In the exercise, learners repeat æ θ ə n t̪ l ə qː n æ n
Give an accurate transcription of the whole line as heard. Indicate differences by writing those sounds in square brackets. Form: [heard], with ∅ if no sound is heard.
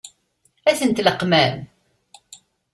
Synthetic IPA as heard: æ θ ə n t̪ l ə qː [m] æ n